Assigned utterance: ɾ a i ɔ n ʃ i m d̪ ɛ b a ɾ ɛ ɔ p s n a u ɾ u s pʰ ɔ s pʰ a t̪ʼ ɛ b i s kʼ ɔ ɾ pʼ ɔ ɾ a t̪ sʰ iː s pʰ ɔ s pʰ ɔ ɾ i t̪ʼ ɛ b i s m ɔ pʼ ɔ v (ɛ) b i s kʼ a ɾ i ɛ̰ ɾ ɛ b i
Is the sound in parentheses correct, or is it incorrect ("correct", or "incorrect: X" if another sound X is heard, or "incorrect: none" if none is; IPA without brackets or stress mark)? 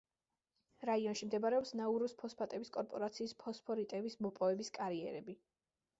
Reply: correct